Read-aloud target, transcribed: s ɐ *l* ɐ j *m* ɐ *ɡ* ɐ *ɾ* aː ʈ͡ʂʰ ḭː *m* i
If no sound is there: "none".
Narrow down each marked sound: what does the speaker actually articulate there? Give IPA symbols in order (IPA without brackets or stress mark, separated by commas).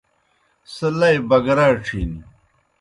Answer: l, b, ɡ, ɾ, n